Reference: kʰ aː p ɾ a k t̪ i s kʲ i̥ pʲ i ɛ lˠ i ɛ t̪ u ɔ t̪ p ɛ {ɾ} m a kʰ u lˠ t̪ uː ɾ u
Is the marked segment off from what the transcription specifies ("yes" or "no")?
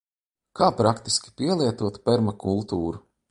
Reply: no